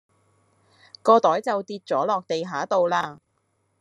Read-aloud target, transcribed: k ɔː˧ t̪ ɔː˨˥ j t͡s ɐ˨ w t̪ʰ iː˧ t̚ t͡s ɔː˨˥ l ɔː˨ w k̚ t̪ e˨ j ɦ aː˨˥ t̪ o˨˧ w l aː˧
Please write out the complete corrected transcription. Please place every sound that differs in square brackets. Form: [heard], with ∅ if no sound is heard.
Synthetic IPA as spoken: k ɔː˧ t̪ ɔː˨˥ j t͡s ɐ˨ w [t̪] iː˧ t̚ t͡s ɔː˨˥ l ɔː˨ [∅] k̚ t̪ e˨ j ɦ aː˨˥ t̪ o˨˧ w l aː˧